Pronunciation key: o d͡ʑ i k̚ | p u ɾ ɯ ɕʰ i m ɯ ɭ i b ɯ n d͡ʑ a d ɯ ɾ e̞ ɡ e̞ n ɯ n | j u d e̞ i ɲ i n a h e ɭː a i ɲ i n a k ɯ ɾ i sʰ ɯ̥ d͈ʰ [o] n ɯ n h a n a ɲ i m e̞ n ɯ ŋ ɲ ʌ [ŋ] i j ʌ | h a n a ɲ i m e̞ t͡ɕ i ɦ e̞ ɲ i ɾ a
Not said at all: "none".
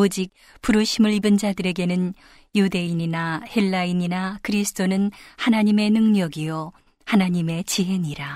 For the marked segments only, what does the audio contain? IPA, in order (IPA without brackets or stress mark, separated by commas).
o, ɡ